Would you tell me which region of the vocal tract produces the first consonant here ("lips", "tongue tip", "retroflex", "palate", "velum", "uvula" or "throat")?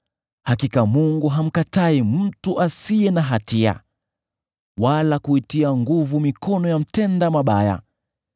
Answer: throat